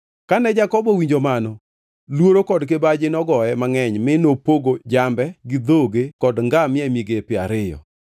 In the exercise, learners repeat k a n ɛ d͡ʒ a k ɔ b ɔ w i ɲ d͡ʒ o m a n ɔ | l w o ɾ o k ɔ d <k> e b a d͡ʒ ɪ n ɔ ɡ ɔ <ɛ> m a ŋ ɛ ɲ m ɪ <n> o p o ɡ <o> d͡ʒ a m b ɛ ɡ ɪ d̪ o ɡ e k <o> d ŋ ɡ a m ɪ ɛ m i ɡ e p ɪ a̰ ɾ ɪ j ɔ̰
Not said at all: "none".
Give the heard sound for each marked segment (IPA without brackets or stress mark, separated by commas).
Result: k, ɛ, n, o, ɔ